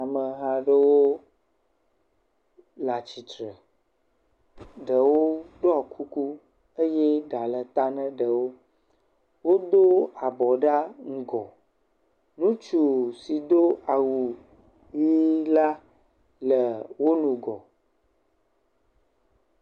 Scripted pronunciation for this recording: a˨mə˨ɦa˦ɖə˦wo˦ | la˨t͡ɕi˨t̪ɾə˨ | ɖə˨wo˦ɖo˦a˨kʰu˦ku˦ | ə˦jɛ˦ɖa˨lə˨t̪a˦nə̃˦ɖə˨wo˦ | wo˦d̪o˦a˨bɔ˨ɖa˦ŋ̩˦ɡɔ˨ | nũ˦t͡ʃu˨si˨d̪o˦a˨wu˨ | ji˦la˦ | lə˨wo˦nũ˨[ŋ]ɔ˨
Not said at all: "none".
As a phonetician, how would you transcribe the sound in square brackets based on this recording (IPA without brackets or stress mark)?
ɡ